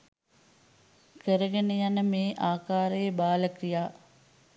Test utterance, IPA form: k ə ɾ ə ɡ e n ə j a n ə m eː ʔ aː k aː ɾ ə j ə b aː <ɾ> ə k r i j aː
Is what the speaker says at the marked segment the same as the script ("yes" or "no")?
no